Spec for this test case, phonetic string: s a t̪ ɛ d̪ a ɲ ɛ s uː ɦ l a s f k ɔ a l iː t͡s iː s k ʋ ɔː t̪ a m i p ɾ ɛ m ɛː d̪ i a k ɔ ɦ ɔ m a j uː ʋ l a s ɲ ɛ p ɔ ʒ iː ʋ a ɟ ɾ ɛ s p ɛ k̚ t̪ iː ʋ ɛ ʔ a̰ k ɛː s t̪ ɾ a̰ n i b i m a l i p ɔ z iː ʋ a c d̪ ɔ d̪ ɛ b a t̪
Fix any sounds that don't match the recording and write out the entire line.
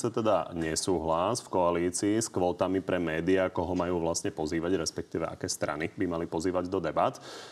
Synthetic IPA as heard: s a t̪ ɛ d̪ a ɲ ɛ s uː ɦ l a s f k ɔ a l iː t͡s iː s k ʋ ɔː t̪ a m i p ɾ ɛ m ɛː d̪ i a k ɔ ɦ ɔ m a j uː ʋ l a s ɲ ɛ p ɔ z iː ʋ a ɟ ɾ ɛ s p ɛ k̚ t̪ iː ʋ ɛ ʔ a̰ k ɛː s t̪ ɾ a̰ n i b i m a l i p ɔ z iː ʋ a ɟ d̪ ɔ d̪ ɛ b a t̪